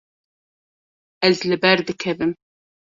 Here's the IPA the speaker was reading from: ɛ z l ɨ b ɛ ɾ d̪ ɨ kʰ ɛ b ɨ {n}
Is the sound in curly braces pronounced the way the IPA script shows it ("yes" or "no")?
no